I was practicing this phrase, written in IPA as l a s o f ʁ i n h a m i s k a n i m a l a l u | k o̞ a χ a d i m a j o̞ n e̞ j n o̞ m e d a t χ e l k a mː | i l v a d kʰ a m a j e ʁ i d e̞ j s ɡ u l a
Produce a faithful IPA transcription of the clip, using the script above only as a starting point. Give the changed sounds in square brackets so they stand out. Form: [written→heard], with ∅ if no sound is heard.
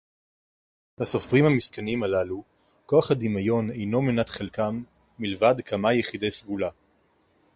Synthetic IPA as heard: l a s o f ʁ i [n→m] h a m i s k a n i m a l a l u | k o̞ a χ a d i m a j o̞ n e̞ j n o̞ m e [d→n] a t χ e l k a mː | i l v a d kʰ a m a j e [ʁ→χ] i d e̞ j s ɡ u l a